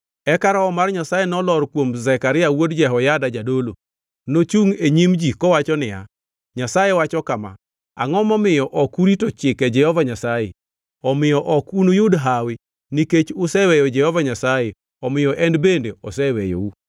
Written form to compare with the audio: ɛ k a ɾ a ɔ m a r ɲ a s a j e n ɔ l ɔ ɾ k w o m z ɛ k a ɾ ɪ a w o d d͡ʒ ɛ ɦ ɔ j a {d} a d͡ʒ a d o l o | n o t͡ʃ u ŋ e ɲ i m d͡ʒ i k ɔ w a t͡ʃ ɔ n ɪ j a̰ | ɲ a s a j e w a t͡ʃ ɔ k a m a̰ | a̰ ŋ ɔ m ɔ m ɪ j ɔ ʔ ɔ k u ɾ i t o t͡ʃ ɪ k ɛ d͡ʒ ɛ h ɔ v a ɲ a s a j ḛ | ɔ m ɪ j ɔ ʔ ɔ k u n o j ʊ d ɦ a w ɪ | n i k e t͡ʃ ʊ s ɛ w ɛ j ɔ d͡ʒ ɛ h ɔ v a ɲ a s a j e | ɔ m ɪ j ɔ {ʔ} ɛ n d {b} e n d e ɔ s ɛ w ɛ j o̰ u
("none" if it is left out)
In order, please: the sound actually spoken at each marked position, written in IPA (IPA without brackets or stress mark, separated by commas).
d, ʔ, b